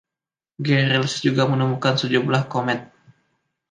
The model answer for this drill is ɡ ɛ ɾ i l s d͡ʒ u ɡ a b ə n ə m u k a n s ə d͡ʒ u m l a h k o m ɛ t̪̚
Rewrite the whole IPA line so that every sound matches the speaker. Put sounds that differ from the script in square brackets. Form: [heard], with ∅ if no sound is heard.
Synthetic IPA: ɡ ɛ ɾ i l s d͡ʒ u ɡ a [m] ə n ə m u k a n s ə d͡ʒ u m l a h k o m ɛ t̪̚